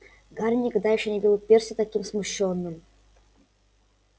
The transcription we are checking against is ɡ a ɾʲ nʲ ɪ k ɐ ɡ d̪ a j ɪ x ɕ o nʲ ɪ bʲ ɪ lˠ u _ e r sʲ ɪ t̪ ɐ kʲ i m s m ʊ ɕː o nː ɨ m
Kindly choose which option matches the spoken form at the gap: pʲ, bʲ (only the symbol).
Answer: pʲ